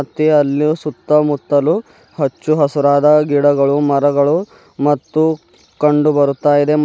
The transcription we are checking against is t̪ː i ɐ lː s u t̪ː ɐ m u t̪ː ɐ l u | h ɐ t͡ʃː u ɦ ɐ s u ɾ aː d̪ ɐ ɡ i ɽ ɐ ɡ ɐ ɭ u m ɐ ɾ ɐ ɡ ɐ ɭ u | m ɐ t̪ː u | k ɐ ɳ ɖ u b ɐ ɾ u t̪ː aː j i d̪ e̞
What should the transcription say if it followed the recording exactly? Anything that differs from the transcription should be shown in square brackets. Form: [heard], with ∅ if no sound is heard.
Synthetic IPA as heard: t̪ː i ɐ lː s u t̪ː ɐ m u t̪ː ɐ l u | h ɐ t͡ʃː u ɦ ɐ s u ɾ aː d̪ ɐ ɡ i ɽ ɐ ɡ ɐ ɭ u m ɐ ɾ ɐ ɡ ɐ ɭ u | m ɐ t̪ː u | k ɐ ɳ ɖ u b ɐ ɾ u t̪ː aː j i d̪ e̞